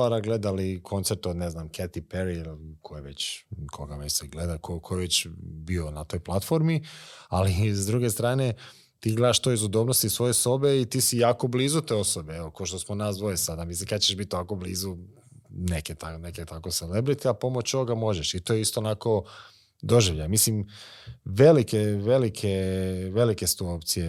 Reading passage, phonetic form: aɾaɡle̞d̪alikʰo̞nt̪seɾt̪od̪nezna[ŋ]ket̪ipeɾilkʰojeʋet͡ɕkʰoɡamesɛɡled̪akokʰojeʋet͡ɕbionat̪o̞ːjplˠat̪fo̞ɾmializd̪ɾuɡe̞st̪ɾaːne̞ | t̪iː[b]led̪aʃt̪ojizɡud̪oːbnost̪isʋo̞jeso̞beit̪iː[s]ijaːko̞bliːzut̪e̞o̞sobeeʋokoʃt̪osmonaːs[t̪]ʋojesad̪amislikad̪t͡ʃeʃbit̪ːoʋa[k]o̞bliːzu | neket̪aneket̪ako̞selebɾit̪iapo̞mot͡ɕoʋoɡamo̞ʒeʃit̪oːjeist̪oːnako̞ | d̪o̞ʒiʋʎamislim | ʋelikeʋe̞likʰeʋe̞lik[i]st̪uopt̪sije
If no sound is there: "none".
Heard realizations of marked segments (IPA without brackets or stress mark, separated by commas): m, ɡ, s, d̪, k, e